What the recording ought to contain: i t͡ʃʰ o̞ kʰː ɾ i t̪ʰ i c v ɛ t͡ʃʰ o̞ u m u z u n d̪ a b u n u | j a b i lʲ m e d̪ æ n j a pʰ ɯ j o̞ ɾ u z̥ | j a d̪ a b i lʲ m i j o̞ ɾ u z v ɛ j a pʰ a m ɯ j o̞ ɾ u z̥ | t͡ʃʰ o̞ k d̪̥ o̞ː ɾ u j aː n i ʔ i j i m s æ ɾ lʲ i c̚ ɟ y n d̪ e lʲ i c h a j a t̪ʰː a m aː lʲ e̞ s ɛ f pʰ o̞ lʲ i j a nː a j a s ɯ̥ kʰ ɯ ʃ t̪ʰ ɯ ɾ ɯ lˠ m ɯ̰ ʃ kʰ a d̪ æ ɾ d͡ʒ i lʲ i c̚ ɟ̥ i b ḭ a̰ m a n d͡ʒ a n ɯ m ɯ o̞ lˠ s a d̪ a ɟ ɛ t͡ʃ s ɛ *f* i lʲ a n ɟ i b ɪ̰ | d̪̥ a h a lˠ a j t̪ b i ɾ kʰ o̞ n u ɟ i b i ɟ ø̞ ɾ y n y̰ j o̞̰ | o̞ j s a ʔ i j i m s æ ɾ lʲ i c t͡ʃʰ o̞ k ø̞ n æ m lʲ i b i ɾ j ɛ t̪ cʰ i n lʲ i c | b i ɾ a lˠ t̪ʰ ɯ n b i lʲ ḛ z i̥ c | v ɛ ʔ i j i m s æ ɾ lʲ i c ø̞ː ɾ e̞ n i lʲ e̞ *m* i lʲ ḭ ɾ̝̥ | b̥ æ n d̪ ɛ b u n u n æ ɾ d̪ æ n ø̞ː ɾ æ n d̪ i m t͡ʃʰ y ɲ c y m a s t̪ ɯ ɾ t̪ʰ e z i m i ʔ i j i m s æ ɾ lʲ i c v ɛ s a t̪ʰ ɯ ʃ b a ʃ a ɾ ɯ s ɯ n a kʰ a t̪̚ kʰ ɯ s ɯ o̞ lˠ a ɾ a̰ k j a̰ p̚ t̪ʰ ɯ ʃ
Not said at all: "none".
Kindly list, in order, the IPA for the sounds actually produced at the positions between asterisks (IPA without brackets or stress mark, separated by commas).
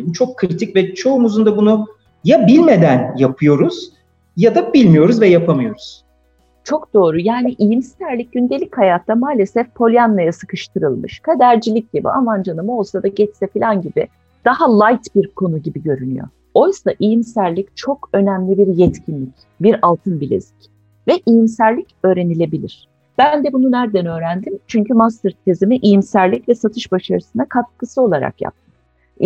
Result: f, b